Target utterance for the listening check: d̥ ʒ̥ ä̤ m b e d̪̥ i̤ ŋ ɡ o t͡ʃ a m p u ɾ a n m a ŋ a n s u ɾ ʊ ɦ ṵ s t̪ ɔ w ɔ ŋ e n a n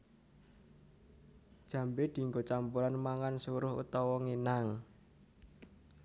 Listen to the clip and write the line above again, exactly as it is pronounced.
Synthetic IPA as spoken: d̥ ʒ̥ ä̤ m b e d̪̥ i̤ ŋ ɡ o t͡ʃ a m p u ɾ a n m a ŋ a n s u ɾ ʊ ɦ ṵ t̪ ɔ w ɔ ŋ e n a ŋ